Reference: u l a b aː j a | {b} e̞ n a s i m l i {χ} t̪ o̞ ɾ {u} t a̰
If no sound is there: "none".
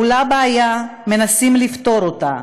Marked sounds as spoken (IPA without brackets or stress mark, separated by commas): m, f, o